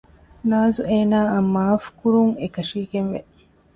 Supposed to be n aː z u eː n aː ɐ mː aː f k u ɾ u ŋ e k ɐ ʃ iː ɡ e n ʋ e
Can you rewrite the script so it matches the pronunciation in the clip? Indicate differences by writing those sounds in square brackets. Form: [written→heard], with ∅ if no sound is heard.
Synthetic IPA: n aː z u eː n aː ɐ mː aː f k u ɾ u ŋ e k ɐ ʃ iː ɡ e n ʋ e